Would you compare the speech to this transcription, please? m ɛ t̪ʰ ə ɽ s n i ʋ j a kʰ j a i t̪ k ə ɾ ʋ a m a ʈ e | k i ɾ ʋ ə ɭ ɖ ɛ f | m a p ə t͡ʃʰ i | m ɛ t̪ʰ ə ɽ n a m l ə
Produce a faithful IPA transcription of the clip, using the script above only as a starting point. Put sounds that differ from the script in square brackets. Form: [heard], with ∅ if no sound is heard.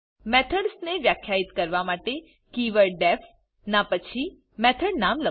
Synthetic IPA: m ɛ t̪ʰ ə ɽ s n [e] ʋ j a kʰ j a i t̪ k ə ɾ ʋ a m a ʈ e | k i [∅] ʋ ə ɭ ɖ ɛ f | [n] a p ə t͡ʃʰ i | m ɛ t̪ʰ ə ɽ n a m l ə